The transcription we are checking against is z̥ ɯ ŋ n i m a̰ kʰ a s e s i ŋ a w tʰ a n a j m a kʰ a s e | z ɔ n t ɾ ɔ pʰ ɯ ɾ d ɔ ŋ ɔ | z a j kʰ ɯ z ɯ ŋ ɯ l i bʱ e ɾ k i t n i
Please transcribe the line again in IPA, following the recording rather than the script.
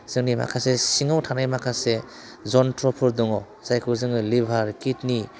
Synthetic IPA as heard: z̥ ɯ ŋ n i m a̰ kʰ a s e s i ŋ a w tʰ a n a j m a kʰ a s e | z ɔ n t ɾ ɔ pʰ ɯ ɾ d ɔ ŋ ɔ | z a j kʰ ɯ z ɯ ŋ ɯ l i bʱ a ɾ k i t n i